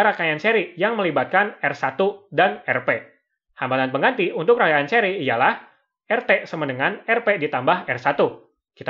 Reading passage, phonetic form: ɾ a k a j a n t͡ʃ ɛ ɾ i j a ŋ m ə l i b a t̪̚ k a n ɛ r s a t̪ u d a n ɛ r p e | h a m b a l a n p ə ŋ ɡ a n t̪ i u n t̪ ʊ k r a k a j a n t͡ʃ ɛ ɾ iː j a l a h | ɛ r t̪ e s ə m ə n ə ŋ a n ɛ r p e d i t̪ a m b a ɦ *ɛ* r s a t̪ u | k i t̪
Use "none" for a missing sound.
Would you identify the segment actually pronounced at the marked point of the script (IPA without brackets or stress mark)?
ɛ